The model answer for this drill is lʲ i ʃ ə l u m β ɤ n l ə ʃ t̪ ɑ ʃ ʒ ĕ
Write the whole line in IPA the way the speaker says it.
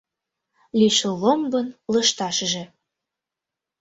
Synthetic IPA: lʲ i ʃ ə l o m b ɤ n l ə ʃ t̪ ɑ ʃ ʒ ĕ